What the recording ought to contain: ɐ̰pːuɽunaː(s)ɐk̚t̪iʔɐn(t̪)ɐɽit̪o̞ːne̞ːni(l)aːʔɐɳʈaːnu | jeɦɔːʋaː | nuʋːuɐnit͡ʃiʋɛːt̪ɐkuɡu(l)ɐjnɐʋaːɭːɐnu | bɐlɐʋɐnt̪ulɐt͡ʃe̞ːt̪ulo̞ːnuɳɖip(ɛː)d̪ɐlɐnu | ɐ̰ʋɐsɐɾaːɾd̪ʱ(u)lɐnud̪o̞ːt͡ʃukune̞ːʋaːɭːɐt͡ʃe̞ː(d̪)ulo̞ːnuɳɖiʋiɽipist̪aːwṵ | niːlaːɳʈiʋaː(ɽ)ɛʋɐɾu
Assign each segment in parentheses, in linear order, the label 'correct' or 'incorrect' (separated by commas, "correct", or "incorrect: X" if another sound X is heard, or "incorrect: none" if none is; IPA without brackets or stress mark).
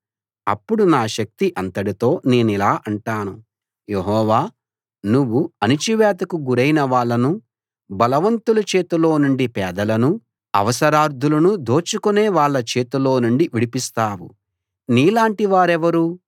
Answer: incorrect: ʃ, correct, correct, incorrect: ɾ, correct, correct, incorrect: t̪, incorrect: ɾ